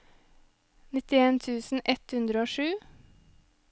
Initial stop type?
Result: plain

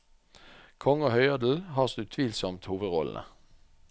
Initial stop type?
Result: aspirated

